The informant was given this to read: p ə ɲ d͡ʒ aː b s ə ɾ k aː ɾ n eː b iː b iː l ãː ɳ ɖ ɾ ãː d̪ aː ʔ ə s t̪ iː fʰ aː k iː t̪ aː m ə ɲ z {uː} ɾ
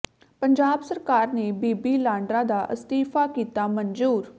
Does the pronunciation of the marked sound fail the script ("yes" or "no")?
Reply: no